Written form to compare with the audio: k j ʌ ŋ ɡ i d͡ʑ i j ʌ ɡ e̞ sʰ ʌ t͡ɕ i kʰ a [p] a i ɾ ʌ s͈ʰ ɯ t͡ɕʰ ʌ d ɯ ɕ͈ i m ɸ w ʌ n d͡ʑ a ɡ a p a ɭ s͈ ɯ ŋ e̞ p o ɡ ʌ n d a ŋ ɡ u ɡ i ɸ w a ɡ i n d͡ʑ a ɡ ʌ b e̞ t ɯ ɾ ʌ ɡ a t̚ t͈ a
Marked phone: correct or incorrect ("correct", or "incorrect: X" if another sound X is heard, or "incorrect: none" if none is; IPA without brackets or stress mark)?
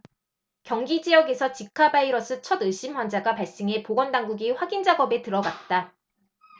incorrect: b